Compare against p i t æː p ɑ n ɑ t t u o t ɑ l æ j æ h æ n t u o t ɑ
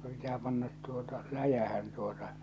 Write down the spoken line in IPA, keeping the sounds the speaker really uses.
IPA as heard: p i t æː p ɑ nː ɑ t t u o t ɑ l æ j æ h æ n t u o t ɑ